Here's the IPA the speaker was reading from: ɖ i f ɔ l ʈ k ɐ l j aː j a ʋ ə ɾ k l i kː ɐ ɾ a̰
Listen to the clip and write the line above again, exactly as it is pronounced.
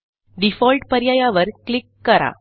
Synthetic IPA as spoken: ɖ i f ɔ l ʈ p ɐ ɾ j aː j a ʋ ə ɾ k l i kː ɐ ɾ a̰